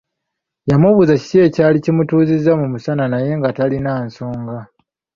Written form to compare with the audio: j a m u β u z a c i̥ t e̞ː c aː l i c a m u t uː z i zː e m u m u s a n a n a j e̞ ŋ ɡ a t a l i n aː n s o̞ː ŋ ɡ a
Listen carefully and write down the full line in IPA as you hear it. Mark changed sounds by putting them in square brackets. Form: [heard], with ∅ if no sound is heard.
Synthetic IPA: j a m u β u z a c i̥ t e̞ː c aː l i c [i] m u t uː z i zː [a] m u m u s a n a n a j e̞ ŋ ɡ a t a l i n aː n s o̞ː ŋ ɡ a